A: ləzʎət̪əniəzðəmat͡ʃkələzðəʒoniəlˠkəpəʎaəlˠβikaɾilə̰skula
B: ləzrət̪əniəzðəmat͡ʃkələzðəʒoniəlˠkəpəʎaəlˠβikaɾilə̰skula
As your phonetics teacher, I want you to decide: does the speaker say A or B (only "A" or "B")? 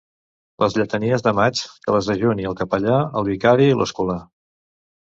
A